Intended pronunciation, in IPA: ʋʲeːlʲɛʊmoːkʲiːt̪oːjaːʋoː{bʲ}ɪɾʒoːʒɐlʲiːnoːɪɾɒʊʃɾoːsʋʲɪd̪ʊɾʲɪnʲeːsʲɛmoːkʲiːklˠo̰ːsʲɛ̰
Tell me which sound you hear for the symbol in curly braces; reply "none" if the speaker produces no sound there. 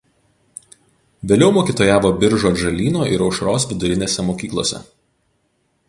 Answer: bʲ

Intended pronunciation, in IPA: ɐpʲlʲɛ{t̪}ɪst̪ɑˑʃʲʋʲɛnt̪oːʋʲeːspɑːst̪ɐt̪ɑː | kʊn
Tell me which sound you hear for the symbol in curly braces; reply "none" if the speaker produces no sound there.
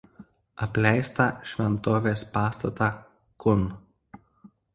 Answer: none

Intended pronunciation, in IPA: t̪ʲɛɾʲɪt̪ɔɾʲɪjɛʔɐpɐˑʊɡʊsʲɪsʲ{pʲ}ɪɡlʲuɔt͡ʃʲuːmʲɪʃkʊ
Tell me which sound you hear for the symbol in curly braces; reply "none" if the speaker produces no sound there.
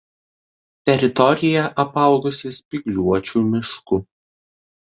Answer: pʲ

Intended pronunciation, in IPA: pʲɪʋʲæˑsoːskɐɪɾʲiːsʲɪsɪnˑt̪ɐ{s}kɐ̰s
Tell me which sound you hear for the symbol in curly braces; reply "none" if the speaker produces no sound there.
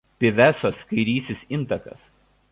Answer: none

